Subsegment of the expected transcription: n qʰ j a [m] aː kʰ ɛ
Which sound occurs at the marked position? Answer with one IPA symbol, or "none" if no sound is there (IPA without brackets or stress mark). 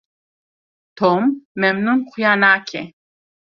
n